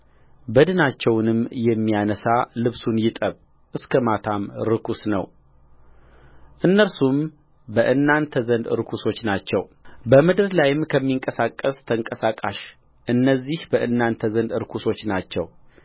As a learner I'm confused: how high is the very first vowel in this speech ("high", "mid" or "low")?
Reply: mid